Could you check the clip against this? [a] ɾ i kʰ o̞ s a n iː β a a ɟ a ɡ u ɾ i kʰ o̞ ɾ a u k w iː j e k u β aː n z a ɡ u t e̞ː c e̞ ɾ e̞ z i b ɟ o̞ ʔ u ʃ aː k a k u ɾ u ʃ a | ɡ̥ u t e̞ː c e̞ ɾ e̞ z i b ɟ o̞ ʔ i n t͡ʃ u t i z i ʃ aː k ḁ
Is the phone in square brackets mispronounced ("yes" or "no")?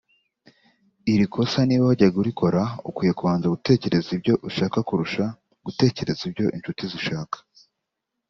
yes